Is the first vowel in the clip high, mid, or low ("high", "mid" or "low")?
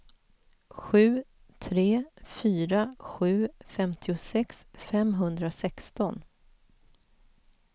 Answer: high